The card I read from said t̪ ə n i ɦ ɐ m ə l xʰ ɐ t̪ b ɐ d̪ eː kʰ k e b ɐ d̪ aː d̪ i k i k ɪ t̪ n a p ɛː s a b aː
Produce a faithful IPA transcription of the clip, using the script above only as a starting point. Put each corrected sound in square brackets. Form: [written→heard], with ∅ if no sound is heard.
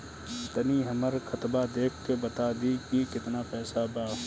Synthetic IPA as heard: t̪ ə n i ɦ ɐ m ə [l→ɾ] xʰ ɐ t̪ b [ɐ→a] d̪ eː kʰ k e b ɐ [d̪→t̪] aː d̪ i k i k ɪ t̪ n a p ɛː s a b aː